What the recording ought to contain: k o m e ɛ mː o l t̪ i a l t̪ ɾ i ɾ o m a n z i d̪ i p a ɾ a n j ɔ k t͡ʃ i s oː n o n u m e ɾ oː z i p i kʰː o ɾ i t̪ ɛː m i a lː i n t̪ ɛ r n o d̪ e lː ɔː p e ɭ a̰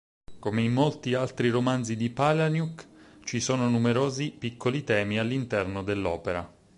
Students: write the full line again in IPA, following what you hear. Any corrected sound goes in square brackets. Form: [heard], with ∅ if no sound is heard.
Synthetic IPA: k o m e [i] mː o l t̪ i a l t̪ ɾ i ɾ o m a n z i d̪ i p a [l] a n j [u] k t͡ʃ i s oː n o n u m e ɾ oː z i p i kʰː o [l] i t̪ ɛː m i a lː i n t̪ ɛ r n o d̪ e lː ɔː p e [ɾ] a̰